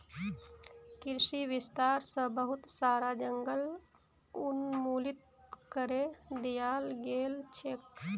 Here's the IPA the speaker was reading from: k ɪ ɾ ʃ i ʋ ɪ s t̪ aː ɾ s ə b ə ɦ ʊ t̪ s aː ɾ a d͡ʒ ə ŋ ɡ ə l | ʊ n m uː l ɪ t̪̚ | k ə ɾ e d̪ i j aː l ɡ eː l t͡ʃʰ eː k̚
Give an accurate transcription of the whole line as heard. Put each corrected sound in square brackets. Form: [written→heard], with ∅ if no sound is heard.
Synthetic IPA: k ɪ ɾ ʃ i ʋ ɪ s t̪ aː ɾ s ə b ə ɦ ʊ t̪ s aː ɾ a d͡ʒ ə ŋ ɡ ə l | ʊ n m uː l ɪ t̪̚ | k ə ɾ e d̪ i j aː l ɡ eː l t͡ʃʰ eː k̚